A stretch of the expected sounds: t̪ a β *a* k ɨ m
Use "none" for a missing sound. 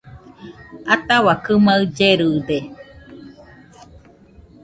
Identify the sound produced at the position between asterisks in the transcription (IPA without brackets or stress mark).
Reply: a